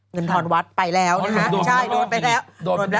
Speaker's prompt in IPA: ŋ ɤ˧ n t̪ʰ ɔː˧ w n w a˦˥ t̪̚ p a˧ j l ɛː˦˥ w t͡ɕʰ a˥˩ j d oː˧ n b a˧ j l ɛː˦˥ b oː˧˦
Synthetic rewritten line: ŋ ɤ˧ n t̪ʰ ɔː˧ n w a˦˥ t̪̚ p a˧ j l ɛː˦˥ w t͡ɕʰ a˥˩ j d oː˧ n p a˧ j l ɛː˦˥ w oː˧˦